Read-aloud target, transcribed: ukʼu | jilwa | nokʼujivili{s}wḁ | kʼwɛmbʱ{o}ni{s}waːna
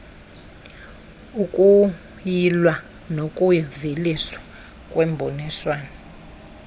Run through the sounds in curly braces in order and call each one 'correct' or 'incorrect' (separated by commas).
correct, correct, correct